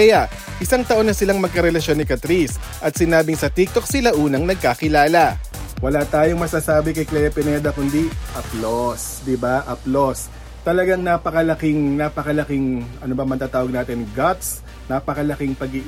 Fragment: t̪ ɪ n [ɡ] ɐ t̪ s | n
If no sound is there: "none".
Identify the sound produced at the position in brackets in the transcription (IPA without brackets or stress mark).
ɡ